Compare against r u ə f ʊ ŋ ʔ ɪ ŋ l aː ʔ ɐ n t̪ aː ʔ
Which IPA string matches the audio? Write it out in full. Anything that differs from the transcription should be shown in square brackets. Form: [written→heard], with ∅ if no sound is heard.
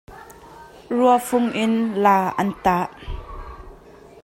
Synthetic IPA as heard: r u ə f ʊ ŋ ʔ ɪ [ŋ→n] l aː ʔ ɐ n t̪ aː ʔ